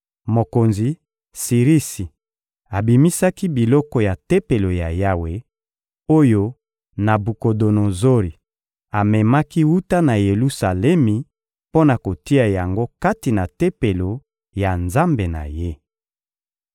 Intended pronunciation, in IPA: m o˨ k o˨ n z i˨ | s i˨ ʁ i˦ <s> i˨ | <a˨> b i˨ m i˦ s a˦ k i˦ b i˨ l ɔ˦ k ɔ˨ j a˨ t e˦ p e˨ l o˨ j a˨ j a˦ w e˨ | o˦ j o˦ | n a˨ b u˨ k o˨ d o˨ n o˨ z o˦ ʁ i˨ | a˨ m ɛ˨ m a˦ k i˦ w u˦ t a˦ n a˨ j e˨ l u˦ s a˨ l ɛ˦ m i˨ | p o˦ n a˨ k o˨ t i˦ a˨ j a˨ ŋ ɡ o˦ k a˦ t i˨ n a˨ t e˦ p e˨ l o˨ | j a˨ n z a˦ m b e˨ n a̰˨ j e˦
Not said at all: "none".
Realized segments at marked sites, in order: s, a˨

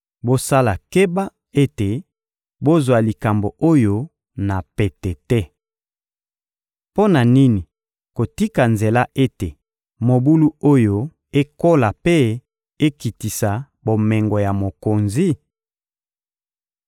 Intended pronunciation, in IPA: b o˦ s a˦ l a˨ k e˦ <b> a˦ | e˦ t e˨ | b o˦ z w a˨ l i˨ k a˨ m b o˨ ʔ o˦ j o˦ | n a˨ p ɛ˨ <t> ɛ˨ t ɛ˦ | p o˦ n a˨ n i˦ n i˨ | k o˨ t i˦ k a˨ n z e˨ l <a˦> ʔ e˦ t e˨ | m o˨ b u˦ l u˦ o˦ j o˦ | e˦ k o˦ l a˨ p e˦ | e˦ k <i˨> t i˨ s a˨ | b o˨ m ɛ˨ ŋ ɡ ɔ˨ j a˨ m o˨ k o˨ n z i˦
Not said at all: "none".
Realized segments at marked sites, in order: b, t, a˦, i˨

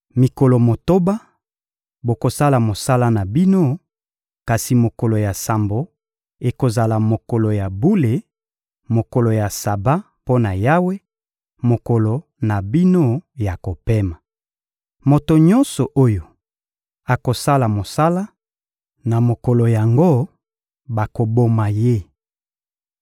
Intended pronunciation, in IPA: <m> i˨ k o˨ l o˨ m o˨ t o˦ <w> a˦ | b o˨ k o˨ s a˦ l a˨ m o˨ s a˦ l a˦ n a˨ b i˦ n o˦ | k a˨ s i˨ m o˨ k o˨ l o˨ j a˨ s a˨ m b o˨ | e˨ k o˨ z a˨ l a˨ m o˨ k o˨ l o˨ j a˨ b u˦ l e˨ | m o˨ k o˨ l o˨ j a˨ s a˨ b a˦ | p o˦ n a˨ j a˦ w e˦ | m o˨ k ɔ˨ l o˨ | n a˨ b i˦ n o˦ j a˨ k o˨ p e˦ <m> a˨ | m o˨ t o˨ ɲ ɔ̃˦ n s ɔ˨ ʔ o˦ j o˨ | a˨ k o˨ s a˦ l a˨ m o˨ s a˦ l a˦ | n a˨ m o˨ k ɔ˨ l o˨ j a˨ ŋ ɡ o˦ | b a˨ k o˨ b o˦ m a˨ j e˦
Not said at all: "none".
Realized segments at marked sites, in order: m, b, m

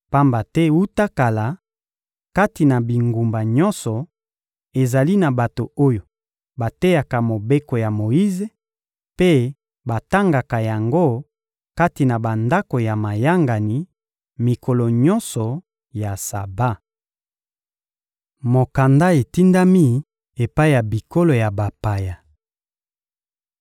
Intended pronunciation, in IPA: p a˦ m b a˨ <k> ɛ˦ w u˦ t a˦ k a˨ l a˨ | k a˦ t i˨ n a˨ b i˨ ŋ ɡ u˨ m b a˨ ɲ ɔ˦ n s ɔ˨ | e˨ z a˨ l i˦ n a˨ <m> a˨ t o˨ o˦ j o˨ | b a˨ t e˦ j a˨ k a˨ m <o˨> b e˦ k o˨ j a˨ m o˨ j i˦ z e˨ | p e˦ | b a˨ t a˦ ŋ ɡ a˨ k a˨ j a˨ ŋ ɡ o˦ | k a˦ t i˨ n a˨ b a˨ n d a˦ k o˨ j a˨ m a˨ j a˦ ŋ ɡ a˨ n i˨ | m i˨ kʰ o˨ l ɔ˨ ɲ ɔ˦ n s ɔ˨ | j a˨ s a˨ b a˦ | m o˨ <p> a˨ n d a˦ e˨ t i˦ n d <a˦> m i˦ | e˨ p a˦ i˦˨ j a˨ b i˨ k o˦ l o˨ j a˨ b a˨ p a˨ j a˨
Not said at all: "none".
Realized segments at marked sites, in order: t, b, o˨, k, a˦

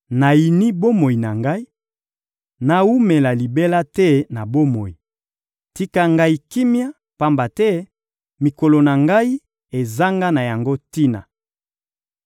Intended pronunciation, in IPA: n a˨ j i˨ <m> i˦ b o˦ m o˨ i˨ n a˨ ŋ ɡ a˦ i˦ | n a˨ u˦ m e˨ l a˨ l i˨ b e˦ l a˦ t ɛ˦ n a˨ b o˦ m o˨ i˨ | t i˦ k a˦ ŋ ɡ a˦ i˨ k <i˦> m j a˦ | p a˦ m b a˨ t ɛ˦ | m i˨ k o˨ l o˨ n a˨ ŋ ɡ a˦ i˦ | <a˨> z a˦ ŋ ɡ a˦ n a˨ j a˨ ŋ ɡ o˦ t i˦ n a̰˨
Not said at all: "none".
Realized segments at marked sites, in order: n, i˦, e˨

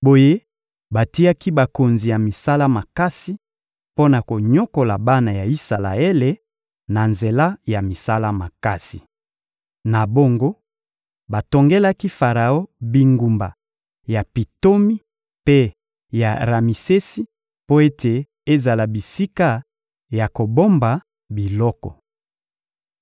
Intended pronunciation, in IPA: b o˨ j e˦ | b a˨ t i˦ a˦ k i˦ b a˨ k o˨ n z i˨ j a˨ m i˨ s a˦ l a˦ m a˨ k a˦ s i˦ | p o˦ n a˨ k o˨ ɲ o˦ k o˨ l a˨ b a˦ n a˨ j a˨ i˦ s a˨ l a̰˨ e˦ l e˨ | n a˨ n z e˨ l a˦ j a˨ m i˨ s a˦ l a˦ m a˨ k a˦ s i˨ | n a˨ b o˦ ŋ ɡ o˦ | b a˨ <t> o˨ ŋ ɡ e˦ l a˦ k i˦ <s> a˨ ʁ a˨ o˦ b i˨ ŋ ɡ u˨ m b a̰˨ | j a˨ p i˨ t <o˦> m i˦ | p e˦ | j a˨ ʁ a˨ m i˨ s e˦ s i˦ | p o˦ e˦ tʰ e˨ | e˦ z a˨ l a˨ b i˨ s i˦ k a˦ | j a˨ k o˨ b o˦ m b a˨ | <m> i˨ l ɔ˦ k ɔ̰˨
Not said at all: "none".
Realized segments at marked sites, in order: t, f, o˦, b

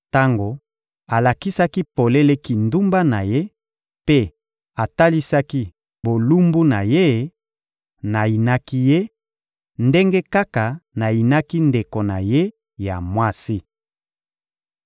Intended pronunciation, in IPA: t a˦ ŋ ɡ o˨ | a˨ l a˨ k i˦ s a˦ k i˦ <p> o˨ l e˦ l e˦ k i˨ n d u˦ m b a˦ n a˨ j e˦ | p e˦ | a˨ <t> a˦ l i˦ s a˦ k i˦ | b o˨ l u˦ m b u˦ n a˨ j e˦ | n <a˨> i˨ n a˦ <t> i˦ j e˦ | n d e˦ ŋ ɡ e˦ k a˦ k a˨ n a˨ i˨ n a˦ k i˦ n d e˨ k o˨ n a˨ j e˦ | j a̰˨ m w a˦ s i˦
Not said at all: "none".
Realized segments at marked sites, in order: p, t, a˨, k

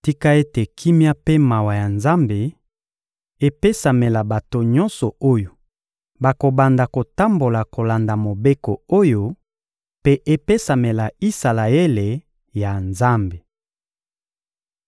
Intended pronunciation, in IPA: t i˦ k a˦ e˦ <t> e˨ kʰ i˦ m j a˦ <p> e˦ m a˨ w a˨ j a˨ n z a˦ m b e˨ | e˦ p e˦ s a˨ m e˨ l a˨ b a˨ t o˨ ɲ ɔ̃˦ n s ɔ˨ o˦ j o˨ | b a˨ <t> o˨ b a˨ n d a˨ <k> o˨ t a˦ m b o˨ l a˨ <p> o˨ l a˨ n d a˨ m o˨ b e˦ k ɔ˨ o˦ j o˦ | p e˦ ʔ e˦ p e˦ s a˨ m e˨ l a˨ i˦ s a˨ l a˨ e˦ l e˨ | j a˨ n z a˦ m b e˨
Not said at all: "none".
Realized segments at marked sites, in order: t, p, k, k, k

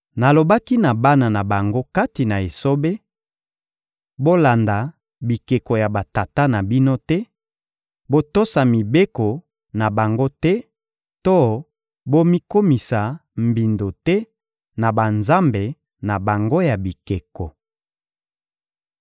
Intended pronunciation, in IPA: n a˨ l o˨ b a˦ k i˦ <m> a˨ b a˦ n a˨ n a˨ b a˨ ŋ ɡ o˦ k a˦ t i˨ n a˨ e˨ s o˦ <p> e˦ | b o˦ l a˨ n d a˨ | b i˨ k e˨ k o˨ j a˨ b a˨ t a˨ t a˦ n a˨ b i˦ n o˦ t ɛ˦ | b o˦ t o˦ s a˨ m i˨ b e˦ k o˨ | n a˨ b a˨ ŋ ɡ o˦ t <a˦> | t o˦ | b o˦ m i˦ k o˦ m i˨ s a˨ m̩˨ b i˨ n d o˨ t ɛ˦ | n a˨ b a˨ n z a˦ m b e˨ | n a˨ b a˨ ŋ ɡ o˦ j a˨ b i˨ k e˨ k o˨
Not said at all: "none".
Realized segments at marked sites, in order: n, b, ɛ˦

